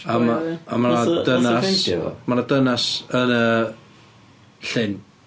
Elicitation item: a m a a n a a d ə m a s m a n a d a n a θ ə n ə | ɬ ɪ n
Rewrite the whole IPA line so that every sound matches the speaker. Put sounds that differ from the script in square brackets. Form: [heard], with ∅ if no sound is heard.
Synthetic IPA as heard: a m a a [m] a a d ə [n] a s m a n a d [ə] n a [s] ə n ə | ɬ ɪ n